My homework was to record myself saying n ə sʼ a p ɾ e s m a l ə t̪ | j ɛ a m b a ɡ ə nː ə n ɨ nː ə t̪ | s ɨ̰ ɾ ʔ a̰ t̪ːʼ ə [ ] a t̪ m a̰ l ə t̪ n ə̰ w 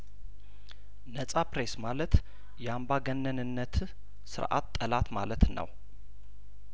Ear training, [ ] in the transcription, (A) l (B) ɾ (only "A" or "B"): A